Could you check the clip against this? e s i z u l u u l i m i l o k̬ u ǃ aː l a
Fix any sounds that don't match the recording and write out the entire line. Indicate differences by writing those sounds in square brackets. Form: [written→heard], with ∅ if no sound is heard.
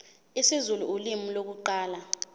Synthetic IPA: [e→i] s i z u l u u l i m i l o k̬ u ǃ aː l a